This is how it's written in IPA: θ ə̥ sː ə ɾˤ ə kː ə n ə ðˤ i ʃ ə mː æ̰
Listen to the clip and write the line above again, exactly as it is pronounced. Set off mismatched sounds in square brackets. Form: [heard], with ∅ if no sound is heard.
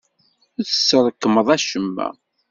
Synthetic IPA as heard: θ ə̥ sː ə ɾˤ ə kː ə [m] ə ðˤ [æ] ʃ ə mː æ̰